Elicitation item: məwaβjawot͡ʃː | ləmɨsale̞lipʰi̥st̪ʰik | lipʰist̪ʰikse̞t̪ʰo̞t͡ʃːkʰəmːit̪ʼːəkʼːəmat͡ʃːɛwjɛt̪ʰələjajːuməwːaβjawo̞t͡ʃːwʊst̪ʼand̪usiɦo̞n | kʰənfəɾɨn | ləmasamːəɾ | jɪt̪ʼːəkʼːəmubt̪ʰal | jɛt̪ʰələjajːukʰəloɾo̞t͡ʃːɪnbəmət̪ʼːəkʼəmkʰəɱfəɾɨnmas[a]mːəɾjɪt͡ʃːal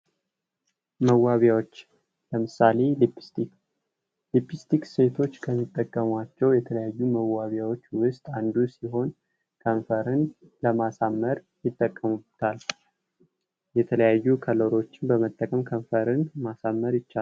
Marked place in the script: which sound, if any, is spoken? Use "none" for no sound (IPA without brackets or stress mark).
a